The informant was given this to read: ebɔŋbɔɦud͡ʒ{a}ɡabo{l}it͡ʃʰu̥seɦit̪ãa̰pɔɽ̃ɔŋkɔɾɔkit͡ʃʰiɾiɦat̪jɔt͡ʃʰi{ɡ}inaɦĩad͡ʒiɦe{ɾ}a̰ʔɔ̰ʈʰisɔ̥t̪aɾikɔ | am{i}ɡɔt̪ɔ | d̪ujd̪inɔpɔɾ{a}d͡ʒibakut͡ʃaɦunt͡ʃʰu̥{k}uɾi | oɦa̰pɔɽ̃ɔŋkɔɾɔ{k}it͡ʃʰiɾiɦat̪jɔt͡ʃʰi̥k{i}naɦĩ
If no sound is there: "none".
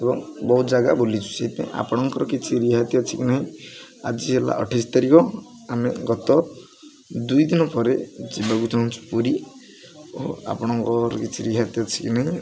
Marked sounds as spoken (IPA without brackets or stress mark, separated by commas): a, l, k, l, e, e, p, k, i